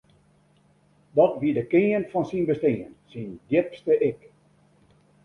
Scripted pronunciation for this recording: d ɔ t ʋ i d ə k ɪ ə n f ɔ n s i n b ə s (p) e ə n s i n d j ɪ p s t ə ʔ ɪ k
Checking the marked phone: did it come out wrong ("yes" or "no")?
yes